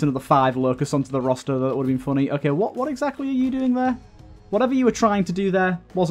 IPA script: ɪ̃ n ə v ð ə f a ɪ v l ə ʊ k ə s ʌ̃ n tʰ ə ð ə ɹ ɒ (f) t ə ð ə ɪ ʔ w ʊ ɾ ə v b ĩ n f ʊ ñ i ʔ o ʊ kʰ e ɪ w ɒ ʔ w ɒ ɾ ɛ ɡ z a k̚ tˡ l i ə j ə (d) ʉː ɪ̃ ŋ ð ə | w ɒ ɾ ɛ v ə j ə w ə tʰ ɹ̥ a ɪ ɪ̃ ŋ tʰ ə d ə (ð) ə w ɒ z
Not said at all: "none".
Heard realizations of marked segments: s, d, ð

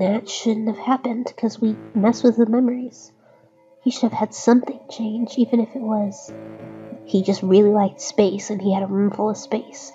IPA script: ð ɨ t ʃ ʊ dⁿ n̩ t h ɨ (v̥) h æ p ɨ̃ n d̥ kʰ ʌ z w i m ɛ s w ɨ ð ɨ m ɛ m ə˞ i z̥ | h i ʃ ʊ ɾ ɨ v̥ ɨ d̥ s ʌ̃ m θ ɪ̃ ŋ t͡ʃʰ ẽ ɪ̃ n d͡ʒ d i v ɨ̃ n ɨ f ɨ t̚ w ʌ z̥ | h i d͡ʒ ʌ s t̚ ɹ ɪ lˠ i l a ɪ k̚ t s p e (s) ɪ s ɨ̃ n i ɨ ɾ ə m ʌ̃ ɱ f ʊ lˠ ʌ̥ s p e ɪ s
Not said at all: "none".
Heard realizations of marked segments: v̥, none

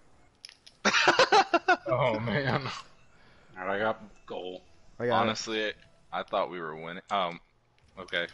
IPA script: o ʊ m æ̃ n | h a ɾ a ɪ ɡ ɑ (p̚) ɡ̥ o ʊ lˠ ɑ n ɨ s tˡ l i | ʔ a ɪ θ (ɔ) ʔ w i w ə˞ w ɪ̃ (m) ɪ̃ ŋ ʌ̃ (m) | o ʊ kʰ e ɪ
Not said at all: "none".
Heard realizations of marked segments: t̚, ɔ, n, m

